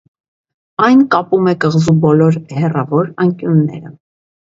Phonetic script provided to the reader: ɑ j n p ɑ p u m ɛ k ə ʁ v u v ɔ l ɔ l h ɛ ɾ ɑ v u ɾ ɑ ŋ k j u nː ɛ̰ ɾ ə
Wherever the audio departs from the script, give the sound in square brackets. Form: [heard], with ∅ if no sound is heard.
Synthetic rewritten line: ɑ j n [k] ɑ p u m ɛ k ə ʁ [z] u [b] ɔ l ɔ [ɾ] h ɛ [r] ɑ v [ɔ] ɾ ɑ ŋ k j u nː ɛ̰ ɾ ə